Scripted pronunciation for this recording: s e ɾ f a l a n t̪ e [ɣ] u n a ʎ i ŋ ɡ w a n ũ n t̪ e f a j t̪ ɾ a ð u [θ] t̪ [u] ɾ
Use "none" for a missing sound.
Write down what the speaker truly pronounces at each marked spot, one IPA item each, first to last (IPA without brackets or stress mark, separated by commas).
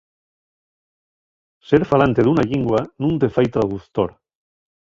ð, θ, o